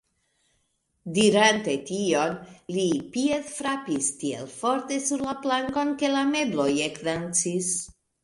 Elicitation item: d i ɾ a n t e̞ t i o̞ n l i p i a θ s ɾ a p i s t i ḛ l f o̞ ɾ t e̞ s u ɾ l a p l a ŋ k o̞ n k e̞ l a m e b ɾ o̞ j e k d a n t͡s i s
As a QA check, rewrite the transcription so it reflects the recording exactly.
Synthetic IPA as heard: d i ɾ a n t e̞ t i o̞ n l i p i e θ f ɾ a p i s t i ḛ l f o̞ ɾ t e̞ s u ɾ l a p l a ŋ k o̞ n k e̞ l a m e b l o̞ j e k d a n t͡s i s